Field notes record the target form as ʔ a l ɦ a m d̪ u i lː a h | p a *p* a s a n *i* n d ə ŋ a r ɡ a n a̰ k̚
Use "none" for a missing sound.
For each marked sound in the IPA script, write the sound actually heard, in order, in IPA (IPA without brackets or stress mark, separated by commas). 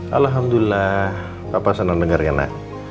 p, a